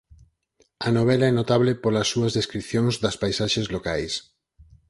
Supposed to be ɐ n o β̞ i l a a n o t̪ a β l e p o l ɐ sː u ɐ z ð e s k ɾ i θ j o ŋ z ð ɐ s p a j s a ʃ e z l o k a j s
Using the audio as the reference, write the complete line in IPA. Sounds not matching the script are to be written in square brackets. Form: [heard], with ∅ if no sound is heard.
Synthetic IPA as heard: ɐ n o β̞ [ɛ] l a [ɛ] n o t̪ a β l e p o l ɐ sː u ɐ z ð e s k ɾ i θ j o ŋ z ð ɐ s p a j s a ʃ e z l o k a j s